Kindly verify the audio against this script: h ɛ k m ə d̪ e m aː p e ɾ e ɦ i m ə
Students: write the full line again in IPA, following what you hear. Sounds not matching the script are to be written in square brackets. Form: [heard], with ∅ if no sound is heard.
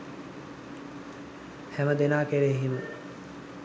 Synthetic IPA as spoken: h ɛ [∅] m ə d̪ e [n] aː [k] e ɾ e ɦ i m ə

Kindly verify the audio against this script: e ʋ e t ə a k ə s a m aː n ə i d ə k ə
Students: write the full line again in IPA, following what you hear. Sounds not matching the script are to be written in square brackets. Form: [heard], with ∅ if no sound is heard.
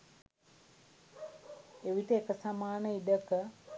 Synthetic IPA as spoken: e ʋ [i] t ə [e] k ə s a m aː n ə i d ə k ə

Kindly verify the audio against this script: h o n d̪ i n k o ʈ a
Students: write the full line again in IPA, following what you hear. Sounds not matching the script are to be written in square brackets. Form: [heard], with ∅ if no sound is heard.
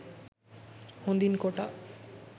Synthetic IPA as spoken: h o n d̪ i n k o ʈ a

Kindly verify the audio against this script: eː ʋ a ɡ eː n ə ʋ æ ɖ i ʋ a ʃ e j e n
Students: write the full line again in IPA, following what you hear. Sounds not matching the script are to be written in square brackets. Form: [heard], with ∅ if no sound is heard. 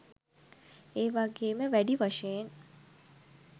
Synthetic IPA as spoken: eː ʋ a ɡ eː [m] ə ʋ æ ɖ i ʋ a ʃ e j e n

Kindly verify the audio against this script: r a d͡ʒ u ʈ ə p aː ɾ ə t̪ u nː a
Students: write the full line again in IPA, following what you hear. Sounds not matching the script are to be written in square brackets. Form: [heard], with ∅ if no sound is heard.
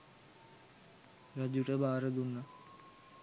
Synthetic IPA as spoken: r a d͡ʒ u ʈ ə [b] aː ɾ ə [d̪] u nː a

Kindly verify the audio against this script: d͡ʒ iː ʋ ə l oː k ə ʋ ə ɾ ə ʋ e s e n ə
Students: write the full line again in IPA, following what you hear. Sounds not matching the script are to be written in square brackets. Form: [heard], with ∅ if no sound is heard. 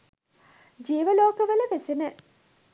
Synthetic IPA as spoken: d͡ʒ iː ʋ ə l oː k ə ʋ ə [l] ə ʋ e s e n ə

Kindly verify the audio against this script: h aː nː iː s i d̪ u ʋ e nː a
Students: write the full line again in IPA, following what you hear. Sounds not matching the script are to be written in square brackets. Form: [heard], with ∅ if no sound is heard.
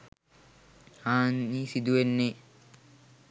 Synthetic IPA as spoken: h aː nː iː s i d̪ u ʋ e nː [e]

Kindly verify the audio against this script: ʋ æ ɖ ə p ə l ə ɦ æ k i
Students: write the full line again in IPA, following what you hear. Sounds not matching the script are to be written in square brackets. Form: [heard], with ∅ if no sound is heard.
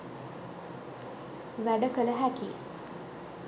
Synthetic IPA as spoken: ʋ æ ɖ ə [k] ə l ə ɦ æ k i

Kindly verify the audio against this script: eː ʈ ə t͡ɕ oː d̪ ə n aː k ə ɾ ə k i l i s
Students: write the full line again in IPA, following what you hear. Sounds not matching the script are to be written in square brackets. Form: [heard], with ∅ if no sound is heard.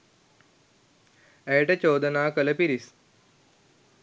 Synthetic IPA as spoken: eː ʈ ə t͡ɕ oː d̪ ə n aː k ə [l] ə [p] i [ɾ] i s

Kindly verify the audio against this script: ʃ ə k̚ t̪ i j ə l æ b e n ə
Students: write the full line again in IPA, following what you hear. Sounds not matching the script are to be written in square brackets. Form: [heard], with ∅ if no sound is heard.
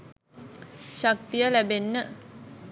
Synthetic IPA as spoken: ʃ [a] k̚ t̪ i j ə l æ b e [nː] ə

